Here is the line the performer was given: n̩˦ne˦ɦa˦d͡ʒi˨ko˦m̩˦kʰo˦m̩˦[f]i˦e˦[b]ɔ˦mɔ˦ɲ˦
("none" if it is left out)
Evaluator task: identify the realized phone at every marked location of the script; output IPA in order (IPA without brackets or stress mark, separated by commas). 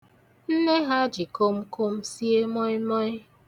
s, m